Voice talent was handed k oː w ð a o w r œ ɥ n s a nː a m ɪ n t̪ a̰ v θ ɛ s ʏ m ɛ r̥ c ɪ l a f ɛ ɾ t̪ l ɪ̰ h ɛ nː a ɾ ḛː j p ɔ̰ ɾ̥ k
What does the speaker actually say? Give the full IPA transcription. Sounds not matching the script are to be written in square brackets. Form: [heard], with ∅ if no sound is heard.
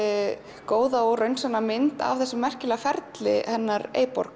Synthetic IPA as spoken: k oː w ð a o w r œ ɥ n s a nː a m ɪ n t̪ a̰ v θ ɛ s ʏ m ɛ r̥ c ɪ l a f ɛ ɾ t̪ l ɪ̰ h ɛ nː a ɾ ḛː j p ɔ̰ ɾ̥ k